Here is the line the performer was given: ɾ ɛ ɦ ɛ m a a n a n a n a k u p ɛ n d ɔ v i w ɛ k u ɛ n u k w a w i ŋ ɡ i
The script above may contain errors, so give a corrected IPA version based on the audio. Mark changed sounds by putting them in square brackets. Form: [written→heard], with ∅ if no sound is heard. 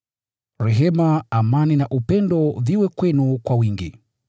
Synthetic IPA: ɾ ɛ ɦ ɛ m a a [n→m] a n [a→i] n a [k→ʔ] u p ɛ n d ɔ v i w ɛ k [u→w] ɛ n u k w a w i ŋ ɡ i